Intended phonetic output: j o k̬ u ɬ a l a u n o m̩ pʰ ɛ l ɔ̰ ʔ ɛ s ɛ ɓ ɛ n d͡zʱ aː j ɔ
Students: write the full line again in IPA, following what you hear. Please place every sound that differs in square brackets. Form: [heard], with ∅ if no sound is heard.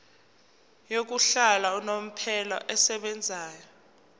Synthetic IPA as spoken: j o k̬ u ɬ a l a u n o m̩ pʰ ɛ l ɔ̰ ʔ ɛ s ɛ ɓ ɛ n d͡zʱ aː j ɔ